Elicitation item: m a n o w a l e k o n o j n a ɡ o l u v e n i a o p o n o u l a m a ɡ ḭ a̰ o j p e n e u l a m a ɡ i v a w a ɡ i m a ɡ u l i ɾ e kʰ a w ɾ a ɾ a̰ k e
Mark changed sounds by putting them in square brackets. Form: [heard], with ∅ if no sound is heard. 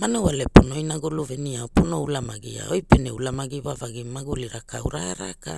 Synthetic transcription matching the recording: m a n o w a l e [p] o n o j n a ɡ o l u v e n i a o p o n o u l a m a ɡ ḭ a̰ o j p e n e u l a m a ɡ i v a [v] a ɡ i m a ɡ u l i ɾ [a] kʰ a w ɾ a ɾ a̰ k [a]